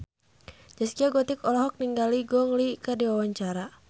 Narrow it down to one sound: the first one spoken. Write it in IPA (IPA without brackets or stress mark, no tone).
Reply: d͡ʒ